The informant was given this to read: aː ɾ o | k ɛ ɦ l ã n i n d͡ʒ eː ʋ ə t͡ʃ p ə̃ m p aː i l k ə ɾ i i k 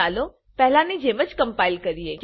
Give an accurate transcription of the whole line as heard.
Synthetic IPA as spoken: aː l o | p ɛ ɦ l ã n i d͡ʒ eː ʋ ə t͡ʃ k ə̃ m p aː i l k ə ɾ i e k

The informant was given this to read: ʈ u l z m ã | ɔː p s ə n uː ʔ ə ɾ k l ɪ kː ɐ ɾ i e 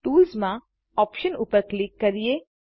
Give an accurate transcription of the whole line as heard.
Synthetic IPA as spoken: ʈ uː l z m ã | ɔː p ʃ ə n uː p ə ɾ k l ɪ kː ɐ ɾ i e

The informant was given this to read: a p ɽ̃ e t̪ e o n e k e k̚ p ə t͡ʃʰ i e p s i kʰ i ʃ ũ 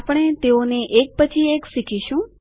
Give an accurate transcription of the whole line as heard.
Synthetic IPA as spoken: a p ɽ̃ e t̪ e o n e ʔ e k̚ p ə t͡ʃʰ i e k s i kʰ i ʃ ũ

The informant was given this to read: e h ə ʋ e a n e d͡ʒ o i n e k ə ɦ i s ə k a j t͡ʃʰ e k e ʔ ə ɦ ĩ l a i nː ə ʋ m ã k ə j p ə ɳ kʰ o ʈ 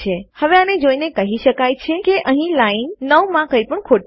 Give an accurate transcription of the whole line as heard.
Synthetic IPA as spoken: e h ə ʋ e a n e d͡ʒ o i n e k ə ɦ i ʃ ə k a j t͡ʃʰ e k e ʔ ə ɦ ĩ l a i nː ə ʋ m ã k ə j p ə ɳ kʰ o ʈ

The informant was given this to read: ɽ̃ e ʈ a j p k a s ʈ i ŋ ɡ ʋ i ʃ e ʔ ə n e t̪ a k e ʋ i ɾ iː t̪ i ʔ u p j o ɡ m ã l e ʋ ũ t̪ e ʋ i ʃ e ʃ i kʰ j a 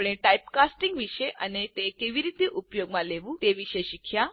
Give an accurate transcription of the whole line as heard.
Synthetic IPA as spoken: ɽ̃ e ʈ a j p k a s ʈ i ŋ ɡ ʋ i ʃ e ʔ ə n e t̪ e k e ʋ i ɾ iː t̪ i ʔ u p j o ɡ m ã l e ʋ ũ t̪ e ʋ i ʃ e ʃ i kʰ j a

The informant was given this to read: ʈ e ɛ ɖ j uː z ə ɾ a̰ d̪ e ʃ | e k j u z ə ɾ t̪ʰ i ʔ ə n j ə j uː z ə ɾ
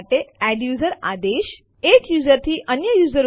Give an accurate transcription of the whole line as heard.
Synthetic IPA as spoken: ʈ e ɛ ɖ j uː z ə ɾ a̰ d̪ e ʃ | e k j u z ə ɾ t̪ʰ i ʔ ə n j ə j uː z ə ɾ

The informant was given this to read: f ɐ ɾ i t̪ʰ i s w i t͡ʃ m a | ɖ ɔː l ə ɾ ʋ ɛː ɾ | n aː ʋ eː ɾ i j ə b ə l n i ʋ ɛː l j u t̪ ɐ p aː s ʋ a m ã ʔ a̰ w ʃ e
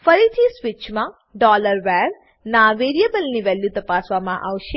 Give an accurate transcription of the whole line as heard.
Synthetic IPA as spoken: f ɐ ɾ i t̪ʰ i s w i t͡ʃ m a | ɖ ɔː l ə ɾ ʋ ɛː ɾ | n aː ʋ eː ɾ i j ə b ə l n i ʋ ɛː l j u t̪ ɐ p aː s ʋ a m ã ʔ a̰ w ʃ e

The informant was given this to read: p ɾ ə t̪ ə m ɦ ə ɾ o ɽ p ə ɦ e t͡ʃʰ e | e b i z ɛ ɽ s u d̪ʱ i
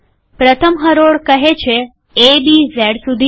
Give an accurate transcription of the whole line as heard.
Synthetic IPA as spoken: p ɾ ə t̪ʰ ə m ɦ ə ɾ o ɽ k ə ɦ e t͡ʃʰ e | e b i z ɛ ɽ s u d̪ʱ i

